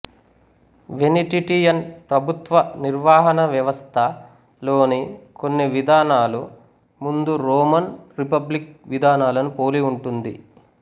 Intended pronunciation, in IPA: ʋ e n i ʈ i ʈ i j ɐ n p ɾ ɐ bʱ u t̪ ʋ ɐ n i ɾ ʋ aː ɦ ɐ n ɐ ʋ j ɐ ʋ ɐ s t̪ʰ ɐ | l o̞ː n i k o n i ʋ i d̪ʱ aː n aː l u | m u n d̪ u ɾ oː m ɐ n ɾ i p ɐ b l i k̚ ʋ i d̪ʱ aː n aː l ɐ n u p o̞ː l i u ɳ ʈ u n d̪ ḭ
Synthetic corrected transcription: ʋ e n i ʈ i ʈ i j ɐ n p ɾ ɐ bʱ u t̪ ʋ ɐ n i ɾ ʋ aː ɦ ɐ n ɐ ʋ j ɐ ʋ ɐ s t̪ʰ ɐ | l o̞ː n i k o nː i ʋ i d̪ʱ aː n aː l u | m u n d̪ u ɾ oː m ɐ n ɾ i p ɐ b l i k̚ ʋ i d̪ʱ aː n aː l ɐ n u p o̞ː l i u ɳ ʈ u n d̪ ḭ